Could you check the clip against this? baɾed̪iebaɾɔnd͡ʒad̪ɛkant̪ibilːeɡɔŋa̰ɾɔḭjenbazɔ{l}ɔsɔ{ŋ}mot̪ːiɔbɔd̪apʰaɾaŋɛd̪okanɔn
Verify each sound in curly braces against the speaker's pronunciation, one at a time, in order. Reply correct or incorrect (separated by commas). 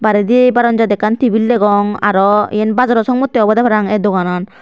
incorrect, correct